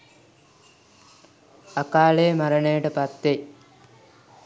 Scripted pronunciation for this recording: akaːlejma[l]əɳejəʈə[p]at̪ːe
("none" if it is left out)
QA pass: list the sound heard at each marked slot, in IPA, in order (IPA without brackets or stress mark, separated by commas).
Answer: ɾ, p